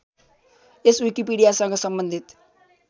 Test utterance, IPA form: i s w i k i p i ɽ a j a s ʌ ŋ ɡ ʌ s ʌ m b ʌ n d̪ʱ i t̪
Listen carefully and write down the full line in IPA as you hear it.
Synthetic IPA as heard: e s w i k i p i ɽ i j a s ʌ ŋ ɡ ʌ s ʌ m b ʌ n d̪ʱ i t̪